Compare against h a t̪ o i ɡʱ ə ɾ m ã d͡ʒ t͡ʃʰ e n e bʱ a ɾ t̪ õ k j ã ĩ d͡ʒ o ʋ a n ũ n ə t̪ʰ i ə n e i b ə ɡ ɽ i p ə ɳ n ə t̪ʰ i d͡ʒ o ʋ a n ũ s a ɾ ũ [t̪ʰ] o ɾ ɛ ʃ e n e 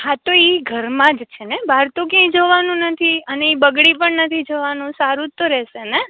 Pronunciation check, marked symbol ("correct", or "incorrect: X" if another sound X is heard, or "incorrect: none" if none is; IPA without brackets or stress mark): incorrect: t̪